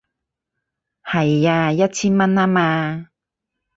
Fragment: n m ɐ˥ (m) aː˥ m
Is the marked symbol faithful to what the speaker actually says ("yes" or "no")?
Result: no